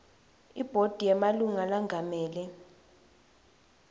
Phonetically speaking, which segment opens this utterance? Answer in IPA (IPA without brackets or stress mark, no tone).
i